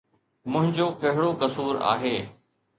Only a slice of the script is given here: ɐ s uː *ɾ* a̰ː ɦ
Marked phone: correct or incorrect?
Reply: correct